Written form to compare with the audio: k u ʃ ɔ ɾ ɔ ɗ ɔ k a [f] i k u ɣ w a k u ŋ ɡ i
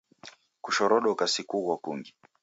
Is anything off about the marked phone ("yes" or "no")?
yes